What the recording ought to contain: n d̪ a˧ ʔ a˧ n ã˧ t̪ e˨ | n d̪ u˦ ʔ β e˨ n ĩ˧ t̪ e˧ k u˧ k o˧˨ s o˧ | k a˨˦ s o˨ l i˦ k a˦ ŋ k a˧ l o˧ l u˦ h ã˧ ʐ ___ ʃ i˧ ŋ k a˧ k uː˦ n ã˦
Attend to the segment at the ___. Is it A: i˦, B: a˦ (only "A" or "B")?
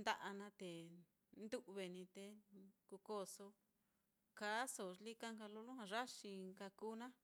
B